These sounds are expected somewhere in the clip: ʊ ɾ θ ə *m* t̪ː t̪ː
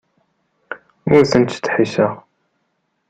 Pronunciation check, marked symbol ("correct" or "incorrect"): incorrect